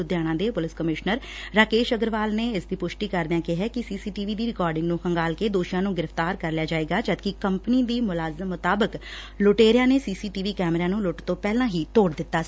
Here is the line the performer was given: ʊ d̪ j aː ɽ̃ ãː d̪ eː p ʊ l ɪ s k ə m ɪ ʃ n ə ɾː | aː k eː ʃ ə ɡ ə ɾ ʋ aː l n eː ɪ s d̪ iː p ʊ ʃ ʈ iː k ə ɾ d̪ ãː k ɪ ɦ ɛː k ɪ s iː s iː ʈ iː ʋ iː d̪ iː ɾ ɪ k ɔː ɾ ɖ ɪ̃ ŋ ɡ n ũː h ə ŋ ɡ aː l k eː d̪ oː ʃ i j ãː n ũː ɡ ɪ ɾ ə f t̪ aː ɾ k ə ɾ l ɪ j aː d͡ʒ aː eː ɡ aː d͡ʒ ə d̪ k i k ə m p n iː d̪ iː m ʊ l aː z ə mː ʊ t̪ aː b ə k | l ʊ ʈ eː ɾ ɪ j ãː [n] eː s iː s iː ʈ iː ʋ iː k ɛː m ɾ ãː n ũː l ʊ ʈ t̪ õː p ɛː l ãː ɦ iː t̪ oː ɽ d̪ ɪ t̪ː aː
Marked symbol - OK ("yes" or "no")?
yes